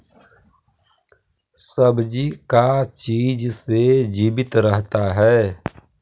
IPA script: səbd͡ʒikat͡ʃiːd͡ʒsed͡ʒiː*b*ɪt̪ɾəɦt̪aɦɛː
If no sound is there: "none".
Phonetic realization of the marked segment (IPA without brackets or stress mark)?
b